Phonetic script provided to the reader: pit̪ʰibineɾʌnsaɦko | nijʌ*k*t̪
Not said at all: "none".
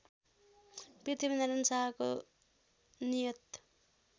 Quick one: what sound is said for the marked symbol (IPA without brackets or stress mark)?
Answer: none